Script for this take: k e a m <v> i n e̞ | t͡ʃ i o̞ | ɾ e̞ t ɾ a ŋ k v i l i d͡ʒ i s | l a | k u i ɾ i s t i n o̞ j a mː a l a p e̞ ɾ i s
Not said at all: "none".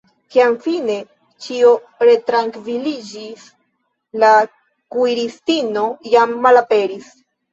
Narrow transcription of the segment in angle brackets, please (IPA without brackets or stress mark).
f